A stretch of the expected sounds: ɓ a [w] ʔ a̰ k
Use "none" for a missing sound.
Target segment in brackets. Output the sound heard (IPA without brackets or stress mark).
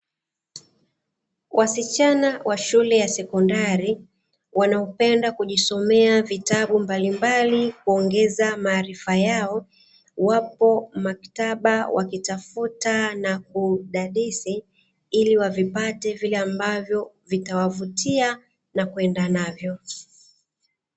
w